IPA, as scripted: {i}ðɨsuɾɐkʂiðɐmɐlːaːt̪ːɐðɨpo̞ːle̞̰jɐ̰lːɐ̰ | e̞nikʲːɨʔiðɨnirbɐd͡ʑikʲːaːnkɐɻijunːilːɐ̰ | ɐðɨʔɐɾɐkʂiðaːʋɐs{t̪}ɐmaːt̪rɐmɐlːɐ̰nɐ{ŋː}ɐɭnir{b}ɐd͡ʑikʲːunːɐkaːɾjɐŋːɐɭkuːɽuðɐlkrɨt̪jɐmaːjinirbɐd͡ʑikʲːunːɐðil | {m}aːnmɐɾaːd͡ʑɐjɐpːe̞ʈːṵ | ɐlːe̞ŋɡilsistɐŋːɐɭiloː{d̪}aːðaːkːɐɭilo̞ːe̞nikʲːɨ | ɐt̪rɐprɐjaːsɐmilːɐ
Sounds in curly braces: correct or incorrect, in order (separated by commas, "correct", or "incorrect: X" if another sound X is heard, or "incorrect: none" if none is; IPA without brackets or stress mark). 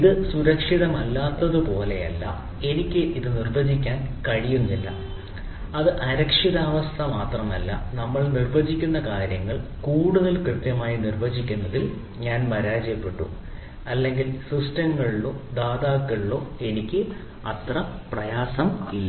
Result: correct, incorrect: t̪ʰ, incorrect: mː, correct, incorrect: ɲ, correct